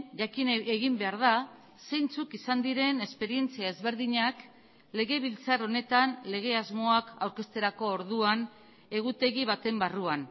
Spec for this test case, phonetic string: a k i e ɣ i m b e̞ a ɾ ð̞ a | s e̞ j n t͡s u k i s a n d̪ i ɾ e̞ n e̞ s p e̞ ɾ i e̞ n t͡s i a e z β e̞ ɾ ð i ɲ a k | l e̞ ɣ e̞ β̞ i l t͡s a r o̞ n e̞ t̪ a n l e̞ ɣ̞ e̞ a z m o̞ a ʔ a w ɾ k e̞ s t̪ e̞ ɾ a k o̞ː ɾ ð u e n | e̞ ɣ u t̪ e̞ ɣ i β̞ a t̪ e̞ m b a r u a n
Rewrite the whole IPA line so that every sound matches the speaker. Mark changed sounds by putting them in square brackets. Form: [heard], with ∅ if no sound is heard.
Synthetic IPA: a k i e ɣ i m b e̞ a ɾ ð̞ a | s e̞ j n t͡s u k i s a n d̪ i ɾ e̞ n e̞ s p e̞ ɾ i e̞ n t͡s i a e z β e̞ ɾ ð i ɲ a k | l e̞ ɣ e̞ β̞ i l t͡s a r o̞ n e̞ t̪ a n l e̞ ɣ̞ e̞ a z m o̞ a [k] a w ɾ k e̞ s t̪ e̞ ɾ a k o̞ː ɾ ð u [a] n | e̞ ɣ u t̪ e̞ ɣ i β̞ a t̪ e̞ m b a r u a n